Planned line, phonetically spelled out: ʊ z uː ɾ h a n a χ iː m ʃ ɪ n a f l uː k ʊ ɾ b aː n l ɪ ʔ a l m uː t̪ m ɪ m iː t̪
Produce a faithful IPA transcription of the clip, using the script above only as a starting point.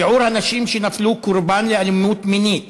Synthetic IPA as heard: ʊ ʕ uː ɾ h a n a ʃ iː m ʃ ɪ n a f l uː k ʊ ɾ b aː n l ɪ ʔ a l m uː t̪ m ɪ n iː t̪